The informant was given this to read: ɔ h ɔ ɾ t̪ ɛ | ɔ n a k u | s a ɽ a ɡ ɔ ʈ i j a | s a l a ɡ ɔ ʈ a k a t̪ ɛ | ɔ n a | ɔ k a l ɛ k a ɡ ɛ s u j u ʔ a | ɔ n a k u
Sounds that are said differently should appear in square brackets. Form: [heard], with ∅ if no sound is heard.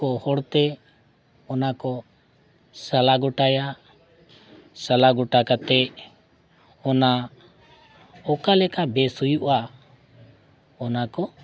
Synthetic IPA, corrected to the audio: ɔ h ɔ [ɽ] t̪ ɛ | ɔ n a k [ɔ] | s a [l] a ɡ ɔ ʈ [a] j a | s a l a ɡ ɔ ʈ a k a t̪ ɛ | ɔ n a | ɔ k a l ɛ k a [b] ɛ s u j u ʔ a | ɔ n a k [ɔ]